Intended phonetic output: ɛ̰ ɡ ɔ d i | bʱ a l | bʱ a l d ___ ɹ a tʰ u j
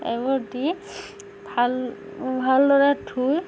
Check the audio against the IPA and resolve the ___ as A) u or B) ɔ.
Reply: B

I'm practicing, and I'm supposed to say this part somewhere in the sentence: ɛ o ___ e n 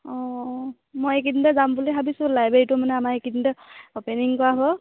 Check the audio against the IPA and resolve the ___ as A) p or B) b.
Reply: A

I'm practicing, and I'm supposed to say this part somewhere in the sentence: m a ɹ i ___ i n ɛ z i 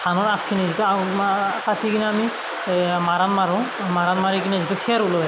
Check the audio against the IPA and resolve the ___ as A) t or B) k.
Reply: B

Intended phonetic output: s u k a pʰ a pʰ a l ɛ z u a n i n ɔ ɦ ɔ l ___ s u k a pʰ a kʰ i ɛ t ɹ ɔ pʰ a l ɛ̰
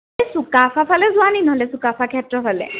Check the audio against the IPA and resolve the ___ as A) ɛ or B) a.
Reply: A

